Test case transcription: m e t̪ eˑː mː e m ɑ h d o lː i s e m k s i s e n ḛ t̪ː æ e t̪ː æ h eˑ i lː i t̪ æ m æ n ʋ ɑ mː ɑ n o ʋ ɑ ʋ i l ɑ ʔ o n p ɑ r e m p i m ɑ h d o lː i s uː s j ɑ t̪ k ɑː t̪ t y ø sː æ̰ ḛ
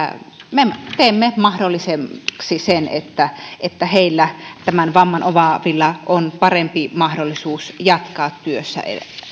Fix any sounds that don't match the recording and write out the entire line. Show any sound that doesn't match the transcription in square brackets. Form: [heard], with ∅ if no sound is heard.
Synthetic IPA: m e t̪ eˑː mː e m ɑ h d o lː i s e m k s i s e n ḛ t̪ː æ e t̪ː æ h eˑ i lː [æ] t̪ æ m æ n ʋ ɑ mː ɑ n o ʋ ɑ ʋ i [lː] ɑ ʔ o n p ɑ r e m p i m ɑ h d o lː i s uː s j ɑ t̪ k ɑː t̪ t y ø sː æ̰ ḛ